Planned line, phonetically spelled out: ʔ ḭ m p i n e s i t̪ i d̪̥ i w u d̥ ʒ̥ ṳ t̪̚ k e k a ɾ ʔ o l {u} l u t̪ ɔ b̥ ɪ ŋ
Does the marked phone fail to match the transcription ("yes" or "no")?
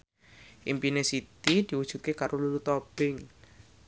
no